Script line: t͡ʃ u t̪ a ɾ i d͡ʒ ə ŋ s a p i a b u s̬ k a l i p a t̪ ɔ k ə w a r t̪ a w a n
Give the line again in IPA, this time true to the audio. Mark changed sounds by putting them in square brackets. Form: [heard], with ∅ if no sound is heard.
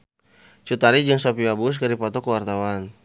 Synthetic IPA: t͡ʃ u t̪ a ɾ i d͡ʒ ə ŋ s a p i a b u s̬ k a [ɾ] i p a t̪ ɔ k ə w a r t̪ a w a n